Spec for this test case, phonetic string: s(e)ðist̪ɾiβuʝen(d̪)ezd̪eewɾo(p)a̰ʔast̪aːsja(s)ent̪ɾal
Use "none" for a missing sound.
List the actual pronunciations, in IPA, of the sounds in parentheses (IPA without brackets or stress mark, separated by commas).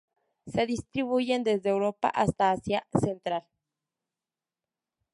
e, d̪, p, s